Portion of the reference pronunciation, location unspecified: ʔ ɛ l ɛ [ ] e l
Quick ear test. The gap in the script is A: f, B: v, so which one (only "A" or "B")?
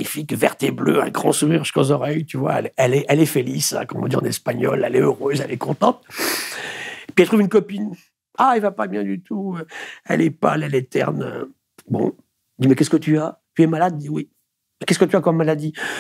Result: A